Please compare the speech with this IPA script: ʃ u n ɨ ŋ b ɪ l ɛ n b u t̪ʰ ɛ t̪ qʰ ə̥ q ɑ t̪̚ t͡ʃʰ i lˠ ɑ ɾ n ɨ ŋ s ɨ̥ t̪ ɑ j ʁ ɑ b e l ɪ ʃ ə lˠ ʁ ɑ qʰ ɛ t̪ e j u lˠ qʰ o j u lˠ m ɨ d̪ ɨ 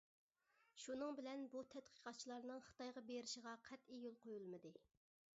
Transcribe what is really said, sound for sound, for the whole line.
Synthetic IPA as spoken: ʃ u n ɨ ŋ b ɪ l ɛ n b u t̪ʰ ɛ t̪ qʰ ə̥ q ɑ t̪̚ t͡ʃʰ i lˠ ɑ ɾ n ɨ ŋ χ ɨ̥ t̪ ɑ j ʁ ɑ b e ɾ ɪ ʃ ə ʁ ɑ qʰ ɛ t̪ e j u lˠ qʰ o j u lˠ m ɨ d̪ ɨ